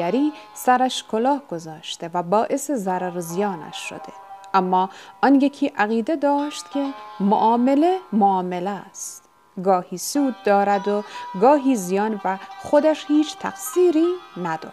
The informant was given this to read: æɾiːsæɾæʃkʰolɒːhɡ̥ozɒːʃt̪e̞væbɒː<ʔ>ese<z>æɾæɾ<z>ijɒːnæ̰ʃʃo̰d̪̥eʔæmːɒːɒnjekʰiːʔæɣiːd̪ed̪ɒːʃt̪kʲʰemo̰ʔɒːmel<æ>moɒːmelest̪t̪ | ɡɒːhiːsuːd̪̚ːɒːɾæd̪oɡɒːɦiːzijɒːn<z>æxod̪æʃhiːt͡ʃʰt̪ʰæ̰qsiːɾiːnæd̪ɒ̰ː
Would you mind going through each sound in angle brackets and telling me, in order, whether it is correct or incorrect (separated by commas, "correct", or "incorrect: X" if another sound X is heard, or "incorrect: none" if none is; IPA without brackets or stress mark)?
correct, correct, correct, incorrect: e, incorrect: v